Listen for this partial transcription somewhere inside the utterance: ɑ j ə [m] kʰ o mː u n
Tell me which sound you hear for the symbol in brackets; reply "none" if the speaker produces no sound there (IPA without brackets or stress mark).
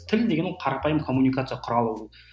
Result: m